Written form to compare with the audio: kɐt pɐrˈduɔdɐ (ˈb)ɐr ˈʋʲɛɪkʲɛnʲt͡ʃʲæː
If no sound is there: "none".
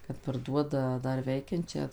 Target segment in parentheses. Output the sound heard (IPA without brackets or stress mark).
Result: d